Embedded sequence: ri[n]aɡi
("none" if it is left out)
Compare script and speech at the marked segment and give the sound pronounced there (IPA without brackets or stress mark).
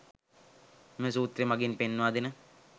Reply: m